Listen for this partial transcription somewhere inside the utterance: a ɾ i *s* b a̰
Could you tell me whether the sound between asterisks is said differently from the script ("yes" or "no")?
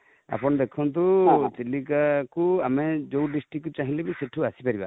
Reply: yes